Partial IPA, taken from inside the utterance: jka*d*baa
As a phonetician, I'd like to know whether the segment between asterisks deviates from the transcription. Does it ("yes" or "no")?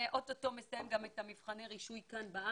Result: yes